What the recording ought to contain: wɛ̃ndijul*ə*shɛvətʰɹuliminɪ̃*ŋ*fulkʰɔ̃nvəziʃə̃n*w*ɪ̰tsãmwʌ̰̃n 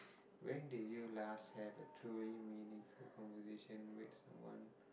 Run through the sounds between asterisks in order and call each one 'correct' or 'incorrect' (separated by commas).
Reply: incorrect, correct, correct